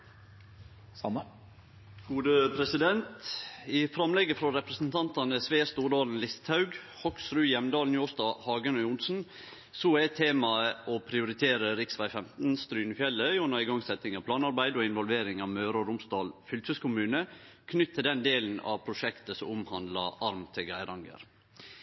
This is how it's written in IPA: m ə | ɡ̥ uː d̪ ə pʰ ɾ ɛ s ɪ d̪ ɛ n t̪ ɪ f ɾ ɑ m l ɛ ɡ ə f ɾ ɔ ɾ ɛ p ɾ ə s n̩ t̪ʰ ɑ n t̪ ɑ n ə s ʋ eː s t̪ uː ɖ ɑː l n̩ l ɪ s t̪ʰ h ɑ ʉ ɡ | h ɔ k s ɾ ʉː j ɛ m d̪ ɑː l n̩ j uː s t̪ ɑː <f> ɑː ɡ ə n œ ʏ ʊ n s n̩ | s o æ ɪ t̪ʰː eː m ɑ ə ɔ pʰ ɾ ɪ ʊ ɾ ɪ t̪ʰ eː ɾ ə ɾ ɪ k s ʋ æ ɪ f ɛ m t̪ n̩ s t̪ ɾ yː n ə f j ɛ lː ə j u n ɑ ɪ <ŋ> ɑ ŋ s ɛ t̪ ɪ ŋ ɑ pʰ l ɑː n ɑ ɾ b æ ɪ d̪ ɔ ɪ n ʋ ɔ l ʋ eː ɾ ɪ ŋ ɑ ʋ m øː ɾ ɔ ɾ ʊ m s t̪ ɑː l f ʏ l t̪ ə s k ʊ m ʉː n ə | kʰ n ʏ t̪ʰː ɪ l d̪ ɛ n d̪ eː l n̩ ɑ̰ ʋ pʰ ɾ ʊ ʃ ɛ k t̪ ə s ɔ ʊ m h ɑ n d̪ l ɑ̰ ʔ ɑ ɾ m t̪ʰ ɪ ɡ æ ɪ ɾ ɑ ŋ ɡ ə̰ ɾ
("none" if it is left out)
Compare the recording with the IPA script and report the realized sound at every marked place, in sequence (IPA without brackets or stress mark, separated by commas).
h, ɡ